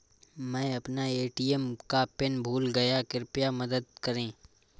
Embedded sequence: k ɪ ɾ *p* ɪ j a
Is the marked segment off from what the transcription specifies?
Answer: no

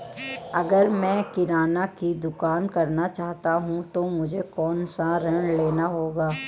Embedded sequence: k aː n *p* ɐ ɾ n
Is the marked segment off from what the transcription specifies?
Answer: yes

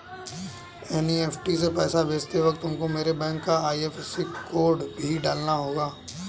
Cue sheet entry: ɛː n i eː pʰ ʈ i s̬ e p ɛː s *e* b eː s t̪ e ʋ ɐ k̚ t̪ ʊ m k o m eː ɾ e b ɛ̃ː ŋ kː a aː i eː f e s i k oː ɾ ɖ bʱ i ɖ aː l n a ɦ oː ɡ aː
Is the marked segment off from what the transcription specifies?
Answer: yes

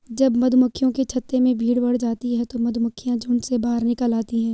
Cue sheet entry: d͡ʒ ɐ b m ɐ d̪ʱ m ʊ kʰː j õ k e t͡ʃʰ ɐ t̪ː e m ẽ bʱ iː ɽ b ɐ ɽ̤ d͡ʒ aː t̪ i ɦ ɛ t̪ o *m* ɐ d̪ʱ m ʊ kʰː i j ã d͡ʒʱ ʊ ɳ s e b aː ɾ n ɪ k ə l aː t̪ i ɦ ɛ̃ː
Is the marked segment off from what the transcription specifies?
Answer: no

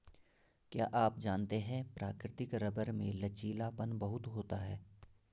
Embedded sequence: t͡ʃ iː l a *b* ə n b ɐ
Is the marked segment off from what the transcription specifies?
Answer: yes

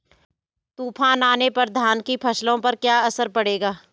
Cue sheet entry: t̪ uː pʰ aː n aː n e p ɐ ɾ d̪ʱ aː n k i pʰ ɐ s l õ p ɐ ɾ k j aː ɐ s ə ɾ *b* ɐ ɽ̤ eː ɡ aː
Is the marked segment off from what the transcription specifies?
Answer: yes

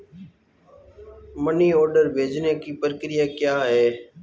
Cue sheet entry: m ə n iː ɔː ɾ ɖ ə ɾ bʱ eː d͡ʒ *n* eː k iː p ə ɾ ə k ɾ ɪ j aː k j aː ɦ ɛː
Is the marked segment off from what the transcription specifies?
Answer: no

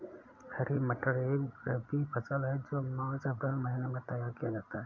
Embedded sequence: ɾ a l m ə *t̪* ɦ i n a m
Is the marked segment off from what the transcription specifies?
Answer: yes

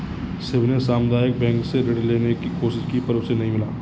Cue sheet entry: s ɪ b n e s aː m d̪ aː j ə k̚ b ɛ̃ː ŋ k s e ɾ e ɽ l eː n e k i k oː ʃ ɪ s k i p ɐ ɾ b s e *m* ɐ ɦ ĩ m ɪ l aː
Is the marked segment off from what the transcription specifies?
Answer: yes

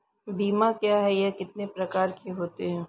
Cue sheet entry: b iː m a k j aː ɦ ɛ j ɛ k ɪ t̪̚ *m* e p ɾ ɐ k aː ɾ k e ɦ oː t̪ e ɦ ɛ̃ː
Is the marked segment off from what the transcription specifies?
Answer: yes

